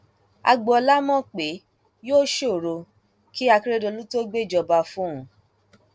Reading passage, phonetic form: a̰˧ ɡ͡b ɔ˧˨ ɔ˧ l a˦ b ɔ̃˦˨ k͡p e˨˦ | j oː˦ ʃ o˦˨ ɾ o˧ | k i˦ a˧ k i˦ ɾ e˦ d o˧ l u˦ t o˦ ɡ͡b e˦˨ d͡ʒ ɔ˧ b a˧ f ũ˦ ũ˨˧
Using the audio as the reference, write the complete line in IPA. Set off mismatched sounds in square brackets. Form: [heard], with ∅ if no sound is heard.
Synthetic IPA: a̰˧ ɡ͡b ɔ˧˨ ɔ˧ l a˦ [m] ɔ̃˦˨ k͡p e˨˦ | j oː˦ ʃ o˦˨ ɾ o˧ | k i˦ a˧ k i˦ ɾ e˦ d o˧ l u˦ t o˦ ɡ͡b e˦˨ d͡ʒ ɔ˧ b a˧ f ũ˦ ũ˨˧